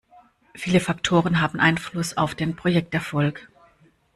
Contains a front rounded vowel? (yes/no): no